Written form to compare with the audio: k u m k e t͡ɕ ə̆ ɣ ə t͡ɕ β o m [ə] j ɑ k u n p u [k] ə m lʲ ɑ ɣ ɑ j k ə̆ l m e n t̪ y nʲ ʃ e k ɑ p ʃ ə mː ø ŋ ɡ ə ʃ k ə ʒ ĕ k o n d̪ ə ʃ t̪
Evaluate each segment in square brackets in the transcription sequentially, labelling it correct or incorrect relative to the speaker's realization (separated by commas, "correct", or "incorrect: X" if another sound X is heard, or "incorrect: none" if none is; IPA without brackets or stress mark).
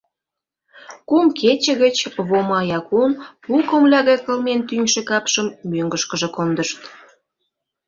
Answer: incorrect: ɑ, correct